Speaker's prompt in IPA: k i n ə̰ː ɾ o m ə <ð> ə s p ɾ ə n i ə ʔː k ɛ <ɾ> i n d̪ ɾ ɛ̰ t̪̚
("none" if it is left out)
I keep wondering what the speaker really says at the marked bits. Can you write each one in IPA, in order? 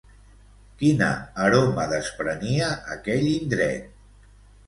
ð, ʎ

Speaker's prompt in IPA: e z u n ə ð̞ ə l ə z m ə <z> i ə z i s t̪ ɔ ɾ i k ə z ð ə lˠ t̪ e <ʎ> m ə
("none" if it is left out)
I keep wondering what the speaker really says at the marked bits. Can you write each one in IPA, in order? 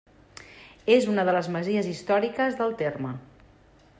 z, r

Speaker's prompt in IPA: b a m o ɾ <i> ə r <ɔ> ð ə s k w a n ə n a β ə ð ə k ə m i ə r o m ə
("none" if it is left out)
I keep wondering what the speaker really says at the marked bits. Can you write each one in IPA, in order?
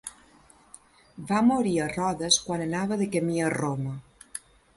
i, ɔ

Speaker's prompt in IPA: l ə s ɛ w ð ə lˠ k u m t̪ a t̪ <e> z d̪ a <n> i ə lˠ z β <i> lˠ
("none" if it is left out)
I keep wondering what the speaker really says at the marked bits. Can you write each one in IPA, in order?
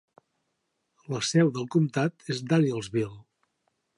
e, n, i

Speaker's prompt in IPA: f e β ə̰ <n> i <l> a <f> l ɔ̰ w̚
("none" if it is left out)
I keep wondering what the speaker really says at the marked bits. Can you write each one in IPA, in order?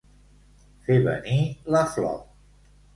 n, l, f

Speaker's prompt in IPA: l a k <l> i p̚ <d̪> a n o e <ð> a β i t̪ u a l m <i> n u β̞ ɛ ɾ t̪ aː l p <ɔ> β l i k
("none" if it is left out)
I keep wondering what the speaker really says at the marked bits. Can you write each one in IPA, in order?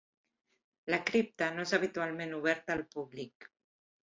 ɾ, t̪, z, e, u

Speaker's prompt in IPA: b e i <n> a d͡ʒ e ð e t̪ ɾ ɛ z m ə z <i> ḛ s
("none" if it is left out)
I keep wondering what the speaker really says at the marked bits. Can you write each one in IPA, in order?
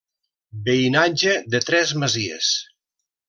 n, i

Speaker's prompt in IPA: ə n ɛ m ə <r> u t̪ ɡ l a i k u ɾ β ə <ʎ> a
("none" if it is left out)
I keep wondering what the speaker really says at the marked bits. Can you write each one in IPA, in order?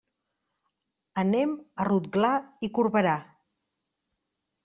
r, ɾ

